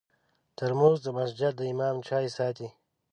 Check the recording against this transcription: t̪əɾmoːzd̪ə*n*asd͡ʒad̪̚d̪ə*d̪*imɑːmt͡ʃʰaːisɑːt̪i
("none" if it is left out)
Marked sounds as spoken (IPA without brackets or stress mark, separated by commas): m, none